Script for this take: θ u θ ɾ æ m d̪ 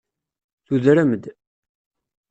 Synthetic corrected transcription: θ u ð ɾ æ m d̪